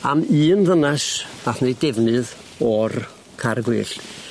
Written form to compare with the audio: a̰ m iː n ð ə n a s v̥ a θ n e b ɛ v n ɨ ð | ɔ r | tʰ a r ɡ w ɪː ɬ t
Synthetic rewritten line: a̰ m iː n ð ə n a s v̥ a θ n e d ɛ v n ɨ ð | ɔ r | kʰ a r ɡ w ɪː ɬ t